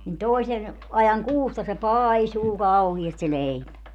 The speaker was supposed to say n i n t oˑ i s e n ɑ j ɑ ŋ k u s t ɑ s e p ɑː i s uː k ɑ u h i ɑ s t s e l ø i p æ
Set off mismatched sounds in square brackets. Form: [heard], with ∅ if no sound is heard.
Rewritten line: n i n t oˑ i s e n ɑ j ɑ ŋ k [uː] s t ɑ s e p ɑː i s uː k ɑ u h i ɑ s t s e l [e] i p æ